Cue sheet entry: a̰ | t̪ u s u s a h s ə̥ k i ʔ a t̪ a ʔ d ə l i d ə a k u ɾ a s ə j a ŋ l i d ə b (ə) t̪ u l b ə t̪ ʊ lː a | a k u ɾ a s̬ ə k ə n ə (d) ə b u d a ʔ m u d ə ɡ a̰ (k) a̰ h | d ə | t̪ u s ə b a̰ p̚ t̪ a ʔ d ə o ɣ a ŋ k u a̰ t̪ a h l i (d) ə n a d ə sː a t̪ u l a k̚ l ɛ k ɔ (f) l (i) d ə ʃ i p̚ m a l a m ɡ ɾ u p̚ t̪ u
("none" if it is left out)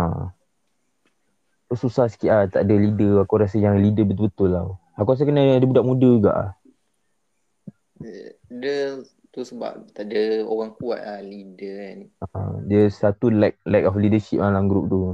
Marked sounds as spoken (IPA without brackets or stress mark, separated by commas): ə, d, ʔ, d, f, i